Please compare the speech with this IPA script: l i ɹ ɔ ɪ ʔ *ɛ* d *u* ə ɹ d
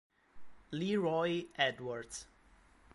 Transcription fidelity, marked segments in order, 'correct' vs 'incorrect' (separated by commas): correct, incorrect